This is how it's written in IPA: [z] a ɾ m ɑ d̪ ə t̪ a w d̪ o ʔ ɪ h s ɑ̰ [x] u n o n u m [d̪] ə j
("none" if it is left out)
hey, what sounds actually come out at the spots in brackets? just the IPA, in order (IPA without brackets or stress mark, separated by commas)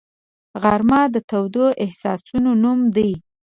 ɣ, s, d̪